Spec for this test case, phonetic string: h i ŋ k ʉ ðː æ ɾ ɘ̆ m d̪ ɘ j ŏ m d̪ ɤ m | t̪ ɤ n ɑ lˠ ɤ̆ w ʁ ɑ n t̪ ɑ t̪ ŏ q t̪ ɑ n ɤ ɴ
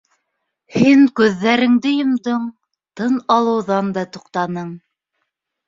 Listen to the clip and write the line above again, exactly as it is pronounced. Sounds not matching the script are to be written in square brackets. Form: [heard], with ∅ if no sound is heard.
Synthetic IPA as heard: h i ŋ k ʉ ðː æ ɾ ɘ̆ [ŋ] d̪ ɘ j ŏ m d̪ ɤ [ɴ] | t̪ ɤ n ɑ lˠ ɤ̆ w [ð] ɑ n [d̪] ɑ t̪ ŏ q t̪ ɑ n ɤ ɴ